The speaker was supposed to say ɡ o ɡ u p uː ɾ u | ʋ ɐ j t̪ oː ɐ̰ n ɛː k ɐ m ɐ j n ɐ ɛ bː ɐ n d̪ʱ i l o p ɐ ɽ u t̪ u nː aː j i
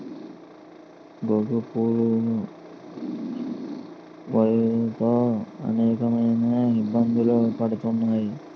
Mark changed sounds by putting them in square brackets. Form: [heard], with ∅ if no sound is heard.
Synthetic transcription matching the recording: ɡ o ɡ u p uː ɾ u | ʋ ɐ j t̪ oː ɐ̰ n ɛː k ɐ m ɐ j n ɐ [i] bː ɐ n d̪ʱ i l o p ɐ ɽ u t̪ u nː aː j i